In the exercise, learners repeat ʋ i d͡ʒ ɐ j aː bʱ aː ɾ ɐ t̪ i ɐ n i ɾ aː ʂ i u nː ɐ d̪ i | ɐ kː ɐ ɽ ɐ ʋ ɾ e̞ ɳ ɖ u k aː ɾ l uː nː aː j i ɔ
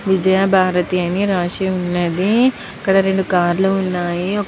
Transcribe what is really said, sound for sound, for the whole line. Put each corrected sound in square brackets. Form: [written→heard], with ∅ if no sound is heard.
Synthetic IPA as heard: ʋ i d͡ʒ ɐ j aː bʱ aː ɾ ɐ t̪ i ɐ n i ɾ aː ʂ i u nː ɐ d̪ i | ɐ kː ɐ ɽ ɐ [ʋ→∅] ɾ e̞ ɳ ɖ u k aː ɾ l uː nː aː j i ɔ

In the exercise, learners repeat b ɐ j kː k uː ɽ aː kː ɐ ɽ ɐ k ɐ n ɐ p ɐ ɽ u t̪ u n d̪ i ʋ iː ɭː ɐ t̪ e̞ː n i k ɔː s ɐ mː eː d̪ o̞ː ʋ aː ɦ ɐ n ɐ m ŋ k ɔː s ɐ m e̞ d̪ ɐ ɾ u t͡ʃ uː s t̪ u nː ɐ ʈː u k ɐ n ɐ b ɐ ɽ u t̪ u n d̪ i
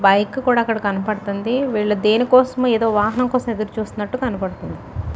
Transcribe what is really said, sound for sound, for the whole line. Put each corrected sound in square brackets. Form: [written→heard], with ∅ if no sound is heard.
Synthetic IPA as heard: b ɐ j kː k uː ɽ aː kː ɐ ɽ ɐ k ɐ n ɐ p ɐ ɽ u t̪ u n d̪ i ʋ iː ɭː ɐ [t̪→d̪] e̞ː n i k ɔː s ɐ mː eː d̪ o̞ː ʋ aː ɦ ɐ n ɐ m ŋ k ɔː s ɐ m e̞ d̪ ɐ ɾ u t͡ʃ uː s t̪ u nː ɐ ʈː u k ɐ n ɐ [b→p] ɐ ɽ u t̪ u n d̪ i

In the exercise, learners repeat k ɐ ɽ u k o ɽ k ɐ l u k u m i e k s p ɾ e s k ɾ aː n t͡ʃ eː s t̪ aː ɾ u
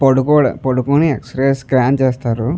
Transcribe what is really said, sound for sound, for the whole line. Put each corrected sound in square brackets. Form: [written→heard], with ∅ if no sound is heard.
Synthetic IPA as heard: [k→p] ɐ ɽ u k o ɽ [k→p] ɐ [l→ɽ] u k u [m→n] i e k s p ɾ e s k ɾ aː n t͡ʃ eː s t̪ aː ɾ u

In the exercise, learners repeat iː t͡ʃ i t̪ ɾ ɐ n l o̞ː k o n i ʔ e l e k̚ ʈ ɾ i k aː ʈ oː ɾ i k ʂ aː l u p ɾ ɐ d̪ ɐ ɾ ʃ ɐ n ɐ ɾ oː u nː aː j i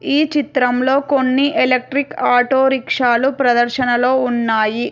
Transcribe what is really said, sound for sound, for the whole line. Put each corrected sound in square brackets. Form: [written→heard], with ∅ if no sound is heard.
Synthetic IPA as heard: iː t͡ʃ i t̪ ɾ ɐ [n→m] l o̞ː k o [n→nː] i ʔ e l e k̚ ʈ ɾ i k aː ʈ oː ɾ i k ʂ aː l u p ɾ ɐ d̪ ɐ ɾ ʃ ɐ n ɐ [ɾ→l] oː u nː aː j i

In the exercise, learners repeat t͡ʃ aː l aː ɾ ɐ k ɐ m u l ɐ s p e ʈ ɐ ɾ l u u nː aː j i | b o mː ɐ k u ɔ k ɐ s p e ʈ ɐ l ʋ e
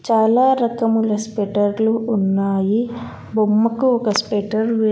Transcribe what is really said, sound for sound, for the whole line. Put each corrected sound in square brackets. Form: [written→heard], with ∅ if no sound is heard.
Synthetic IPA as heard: t͡ʃ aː l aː ɾ ɐ k ɐ m u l ɐ s p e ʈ ɐ ɾ l u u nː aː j i | b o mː ɐ k u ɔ k ɐ s p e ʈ ɐ [l→ɾ] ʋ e

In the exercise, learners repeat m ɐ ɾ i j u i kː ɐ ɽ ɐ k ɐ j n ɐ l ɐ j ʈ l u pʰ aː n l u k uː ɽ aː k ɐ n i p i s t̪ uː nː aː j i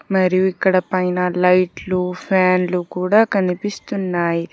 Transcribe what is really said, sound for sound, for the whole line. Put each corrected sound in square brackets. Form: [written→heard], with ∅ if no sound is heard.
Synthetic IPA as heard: m ɐ ɾ i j u i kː ɐ ɽ ɐ [k→p] ɐ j n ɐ l ɐ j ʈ l u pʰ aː n l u k uː ɽ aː k ɐ n i p i s t̪ [uː→u] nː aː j i

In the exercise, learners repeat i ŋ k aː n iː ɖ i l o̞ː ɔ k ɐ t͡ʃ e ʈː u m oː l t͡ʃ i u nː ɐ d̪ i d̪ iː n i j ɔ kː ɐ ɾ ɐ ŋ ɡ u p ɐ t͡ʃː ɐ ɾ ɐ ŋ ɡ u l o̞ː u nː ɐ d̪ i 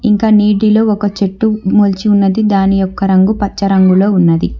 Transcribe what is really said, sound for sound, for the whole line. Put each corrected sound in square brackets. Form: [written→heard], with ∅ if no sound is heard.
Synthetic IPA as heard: i ŋ k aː n iː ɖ i l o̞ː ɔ k ɐ t͡ʃ e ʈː u m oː l t͡ʃ i u nː ɐ d̪ i d̪ [iː→aː] n i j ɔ kː ɐ ɾ ɐ ŋ ɡ u p ɐ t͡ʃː ɐ ɾ ɐ ŋ ɡ u l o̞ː u nː ɐ d̪ i

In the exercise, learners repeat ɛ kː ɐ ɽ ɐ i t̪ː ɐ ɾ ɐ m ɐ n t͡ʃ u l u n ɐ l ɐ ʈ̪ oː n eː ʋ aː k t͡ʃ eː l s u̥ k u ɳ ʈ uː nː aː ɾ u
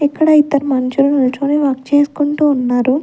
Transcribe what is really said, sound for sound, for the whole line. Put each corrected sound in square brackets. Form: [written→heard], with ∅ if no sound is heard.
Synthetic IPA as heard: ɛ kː ɐ ɽ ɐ i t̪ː ɐ ɾ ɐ m ɐ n t͡ʃ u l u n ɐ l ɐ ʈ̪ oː n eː ʋ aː k t͡ʃ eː [l→∅] s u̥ k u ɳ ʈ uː nː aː ɾ u

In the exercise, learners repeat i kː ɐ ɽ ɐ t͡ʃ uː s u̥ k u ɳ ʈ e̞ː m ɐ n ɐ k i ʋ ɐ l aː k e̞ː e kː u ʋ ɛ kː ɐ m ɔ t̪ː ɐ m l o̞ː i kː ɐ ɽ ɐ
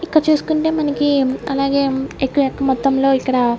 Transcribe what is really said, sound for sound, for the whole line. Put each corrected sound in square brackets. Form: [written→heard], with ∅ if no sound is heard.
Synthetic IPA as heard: i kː ɐ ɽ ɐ t͡ʃ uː s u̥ k u ɳ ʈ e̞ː m ɐ n ɐ k i [ʋ→∅] ɐ l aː [k→ɡ] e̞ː e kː u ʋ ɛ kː ɐ m ɔ t̪ː ɐ m l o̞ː i kː ɐ ɽ ɐ

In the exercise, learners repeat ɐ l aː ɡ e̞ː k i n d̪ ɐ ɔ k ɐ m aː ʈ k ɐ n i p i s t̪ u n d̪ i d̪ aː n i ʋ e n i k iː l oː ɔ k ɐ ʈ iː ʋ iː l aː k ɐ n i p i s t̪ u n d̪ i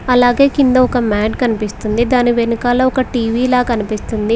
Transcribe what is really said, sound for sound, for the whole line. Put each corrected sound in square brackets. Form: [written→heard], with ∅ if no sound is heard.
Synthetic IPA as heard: ɐ l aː ɡ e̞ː k i n d̪ ɐ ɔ k ɐ m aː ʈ k ɐ n i p i s t̪ u n d̪ i d̪ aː n i ʋ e n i k [iː→aː] l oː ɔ k ɐ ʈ iː ʋ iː l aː k ɐ n i p i s t̪ u n d̪ i

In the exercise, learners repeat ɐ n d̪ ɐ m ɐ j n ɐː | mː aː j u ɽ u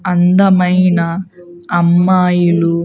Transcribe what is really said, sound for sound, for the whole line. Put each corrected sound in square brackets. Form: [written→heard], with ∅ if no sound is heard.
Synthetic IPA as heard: ɐ n d̪ ɐ m ɐ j n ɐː | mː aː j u [ɽ→l] u

